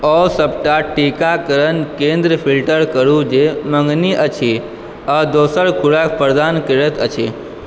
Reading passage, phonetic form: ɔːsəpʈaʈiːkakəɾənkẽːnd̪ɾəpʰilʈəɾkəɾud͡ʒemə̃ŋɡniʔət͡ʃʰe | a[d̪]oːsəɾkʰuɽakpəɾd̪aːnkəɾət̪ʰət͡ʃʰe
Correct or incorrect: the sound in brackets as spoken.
correct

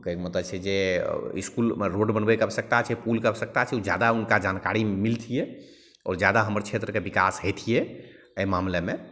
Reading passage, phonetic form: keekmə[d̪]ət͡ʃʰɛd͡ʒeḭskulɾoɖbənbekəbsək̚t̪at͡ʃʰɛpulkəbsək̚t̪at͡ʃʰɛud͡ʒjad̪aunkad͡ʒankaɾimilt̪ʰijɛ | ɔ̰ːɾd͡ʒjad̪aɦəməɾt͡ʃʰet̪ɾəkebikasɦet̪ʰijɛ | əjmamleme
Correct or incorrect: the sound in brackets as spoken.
incorrect: t̪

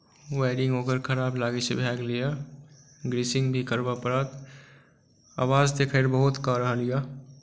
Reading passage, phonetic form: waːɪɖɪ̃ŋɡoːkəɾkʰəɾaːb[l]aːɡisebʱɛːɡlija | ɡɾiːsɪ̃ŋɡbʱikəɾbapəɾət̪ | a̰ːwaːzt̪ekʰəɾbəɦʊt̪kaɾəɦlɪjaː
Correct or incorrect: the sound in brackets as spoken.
correct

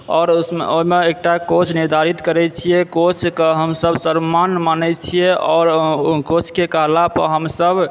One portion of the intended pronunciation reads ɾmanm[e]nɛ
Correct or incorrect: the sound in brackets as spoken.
incorrect: a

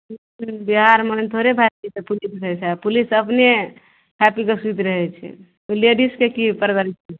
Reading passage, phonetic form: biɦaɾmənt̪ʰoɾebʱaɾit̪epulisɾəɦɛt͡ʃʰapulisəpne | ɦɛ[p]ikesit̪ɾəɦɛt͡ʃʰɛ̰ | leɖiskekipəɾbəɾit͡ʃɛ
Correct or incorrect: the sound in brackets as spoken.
correct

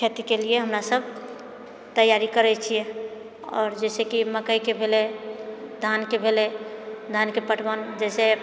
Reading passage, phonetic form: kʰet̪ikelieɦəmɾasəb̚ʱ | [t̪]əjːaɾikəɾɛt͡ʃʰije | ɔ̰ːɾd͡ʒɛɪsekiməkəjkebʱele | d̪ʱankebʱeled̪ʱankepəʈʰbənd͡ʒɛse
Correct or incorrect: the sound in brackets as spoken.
correct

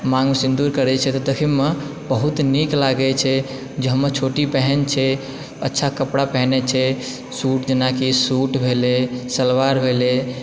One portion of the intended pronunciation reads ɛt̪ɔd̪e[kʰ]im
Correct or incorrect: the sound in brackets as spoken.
correct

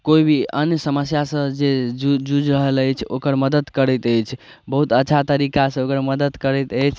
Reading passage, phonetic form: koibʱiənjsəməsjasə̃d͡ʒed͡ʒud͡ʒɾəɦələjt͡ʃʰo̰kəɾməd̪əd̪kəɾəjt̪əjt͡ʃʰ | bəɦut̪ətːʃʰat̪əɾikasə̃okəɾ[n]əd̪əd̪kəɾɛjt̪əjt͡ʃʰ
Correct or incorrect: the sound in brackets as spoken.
incorrect: m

